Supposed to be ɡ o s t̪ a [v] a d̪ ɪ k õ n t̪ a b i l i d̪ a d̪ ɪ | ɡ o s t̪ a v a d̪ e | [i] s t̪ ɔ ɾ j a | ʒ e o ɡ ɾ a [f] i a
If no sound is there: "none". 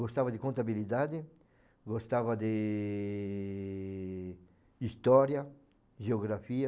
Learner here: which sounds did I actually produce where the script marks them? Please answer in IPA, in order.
v, i, f

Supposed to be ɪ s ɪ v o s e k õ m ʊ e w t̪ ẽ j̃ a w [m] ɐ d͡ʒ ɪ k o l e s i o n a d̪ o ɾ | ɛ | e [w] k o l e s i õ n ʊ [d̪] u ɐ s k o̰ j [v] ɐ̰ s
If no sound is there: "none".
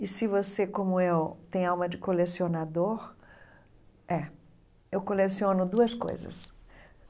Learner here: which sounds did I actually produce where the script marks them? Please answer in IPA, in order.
m, w, d̪, z

